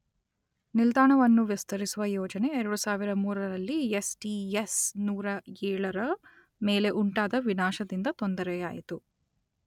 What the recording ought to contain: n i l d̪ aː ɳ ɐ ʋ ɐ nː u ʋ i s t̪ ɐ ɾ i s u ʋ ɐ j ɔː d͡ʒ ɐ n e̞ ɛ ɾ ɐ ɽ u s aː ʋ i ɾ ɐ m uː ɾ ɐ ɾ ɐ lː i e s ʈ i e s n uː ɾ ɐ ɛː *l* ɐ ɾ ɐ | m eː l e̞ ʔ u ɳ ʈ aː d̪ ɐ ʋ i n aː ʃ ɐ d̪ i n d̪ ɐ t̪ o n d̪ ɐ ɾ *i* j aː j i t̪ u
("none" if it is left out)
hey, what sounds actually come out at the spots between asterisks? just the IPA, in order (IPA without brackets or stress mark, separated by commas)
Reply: ɭ, ɛ